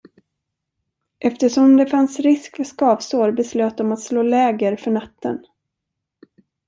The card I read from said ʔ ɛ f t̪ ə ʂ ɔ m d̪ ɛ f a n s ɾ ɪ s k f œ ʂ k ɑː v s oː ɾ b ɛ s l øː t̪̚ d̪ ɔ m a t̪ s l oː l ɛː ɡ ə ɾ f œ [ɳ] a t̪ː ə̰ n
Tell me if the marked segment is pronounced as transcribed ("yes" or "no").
yes